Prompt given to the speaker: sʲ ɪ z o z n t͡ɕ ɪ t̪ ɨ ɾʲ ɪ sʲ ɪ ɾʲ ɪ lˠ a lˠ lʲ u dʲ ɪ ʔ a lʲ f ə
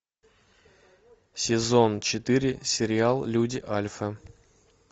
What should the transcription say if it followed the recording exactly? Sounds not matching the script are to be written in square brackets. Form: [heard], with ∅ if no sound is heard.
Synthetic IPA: sʲ ɪ z o [∅] n t͡ɕ ɪ t̪ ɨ ɾʲ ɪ sʲ ɪ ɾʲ ɪ [∅] a lˠ lʲ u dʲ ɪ ʔ a lʲ f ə